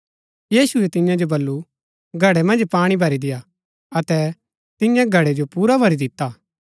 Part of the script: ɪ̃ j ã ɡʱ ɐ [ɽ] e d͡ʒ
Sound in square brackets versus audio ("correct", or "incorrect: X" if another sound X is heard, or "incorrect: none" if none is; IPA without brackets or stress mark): correct